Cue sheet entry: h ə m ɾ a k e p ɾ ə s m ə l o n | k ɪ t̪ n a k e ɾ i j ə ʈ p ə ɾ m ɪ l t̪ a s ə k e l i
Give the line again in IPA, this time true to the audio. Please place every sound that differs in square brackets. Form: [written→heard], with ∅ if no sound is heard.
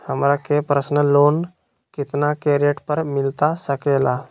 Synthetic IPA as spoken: h ə m ɾ a k e p ɾ ə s [m→n] ə l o n | k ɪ t̪ n a k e ɾ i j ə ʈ p ə ɾ m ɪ l t̪ a s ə k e l [i→a]